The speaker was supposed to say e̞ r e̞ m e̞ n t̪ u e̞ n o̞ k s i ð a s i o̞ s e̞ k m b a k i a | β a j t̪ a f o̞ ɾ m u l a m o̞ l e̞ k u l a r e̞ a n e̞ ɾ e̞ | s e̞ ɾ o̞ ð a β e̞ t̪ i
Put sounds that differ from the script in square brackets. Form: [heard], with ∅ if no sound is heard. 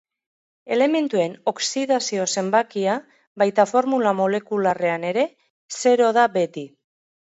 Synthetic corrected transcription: e̞ [l] e̞ m e̞ n t̪ u e̞ n o̞ k s i ð a s i o̞ s e̞ [∅] m b a k i a | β a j t̪ a f o̞ ɾ m u l a m o̞ l e̞ k u l a r e̞ a n e̞ ɾ e̞ | s e̞ ɾ o̞ ð a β e̞ t̪ i